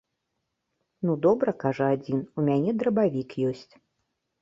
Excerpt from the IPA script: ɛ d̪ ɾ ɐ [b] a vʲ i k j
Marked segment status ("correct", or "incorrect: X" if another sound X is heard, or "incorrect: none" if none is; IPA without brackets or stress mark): correct